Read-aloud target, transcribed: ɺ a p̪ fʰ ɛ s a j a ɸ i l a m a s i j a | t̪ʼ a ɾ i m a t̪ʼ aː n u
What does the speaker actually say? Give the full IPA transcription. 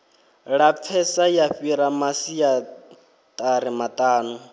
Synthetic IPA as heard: ɺ a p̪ fʰ ɛ s a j a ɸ i ɾ a m a s i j a | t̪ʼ a ɾ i m a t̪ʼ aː n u